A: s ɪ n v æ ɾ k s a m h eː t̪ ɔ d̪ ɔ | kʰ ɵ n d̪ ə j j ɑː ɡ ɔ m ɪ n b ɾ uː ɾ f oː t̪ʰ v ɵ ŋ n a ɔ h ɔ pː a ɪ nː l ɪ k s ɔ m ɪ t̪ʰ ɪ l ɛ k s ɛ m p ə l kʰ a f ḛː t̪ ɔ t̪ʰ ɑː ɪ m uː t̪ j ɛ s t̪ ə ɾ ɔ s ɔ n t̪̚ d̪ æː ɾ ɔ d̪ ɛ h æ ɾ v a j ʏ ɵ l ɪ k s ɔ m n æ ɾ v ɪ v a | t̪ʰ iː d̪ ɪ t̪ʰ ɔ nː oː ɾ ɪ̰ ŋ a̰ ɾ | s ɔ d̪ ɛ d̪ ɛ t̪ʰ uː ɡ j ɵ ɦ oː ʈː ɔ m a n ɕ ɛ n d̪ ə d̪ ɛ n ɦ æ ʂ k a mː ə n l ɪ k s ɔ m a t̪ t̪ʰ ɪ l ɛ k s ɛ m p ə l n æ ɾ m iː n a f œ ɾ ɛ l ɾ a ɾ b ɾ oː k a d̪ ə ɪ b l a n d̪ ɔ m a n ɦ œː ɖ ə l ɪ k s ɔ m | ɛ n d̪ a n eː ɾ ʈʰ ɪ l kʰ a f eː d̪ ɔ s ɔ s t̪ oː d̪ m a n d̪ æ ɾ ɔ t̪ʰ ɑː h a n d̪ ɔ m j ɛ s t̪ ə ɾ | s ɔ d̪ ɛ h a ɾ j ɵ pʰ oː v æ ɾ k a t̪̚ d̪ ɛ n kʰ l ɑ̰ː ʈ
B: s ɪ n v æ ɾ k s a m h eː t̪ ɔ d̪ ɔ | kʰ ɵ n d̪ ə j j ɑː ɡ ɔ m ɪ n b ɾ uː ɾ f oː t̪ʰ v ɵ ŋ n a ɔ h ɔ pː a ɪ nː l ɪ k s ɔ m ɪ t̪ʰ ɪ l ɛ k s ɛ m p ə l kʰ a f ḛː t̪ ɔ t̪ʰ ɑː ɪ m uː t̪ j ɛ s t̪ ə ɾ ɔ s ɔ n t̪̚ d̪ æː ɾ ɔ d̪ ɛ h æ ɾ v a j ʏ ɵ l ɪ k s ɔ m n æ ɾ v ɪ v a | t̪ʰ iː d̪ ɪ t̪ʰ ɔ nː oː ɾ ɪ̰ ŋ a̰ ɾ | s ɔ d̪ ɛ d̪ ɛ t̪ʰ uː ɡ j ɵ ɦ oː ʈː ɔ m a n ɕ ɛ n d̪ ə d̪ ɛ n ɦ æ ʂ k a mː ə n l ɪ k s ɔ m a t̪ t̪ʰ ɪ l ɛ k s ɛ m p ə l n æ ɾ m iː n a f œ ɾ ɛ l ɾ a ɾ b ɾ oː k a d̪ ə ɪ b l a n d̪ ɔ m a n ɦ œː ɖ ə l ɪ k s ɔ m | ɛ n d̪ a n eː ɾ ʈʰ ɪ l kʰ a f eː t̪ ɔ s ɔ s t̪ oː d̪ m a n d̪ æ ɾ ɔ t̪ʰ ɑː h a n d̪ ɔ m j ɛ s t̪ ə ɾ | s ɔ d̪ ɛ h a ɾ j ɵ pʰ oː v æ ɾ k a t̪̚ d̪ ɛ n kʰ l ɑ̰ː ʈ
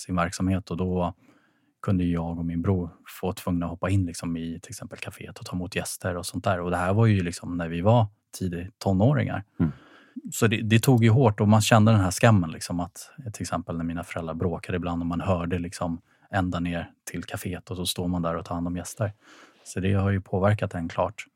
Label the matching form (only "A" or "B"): B